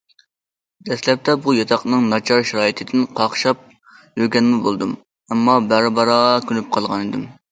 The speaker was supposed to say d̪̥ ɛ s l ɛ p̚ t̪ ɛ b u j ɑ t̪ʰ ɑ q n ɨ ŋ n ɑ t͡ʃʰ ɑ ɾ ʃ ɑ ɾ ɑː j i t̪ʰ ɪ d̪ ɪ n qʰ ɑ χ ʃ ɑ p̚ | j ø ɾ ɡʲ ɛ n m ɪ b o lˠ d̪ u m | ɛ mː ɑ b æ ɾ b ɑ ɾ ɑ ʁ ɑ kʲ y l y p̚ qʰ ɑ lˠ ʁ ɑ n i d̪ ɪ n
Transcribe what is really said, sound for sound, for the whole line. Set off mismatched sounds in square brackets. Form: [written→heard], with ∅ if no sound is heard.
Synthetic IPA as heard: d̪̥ ɛ s l ɛ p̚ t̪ ɛ b u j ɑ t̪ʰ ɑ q n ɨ ŋ n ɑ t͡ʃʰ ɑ ɾ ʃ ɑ ɾ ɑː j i t̪ʰ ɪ d̪ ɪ n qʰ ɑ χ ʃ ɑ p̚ | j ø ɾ ɡʲ ɛ n m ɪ b o lˠ d̪ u m | ɛ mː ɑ b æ ɾ b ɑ ɾ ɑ ʁ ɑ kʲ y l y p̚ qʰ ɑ lˠ ʁ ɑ n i d̪ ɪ [n→m]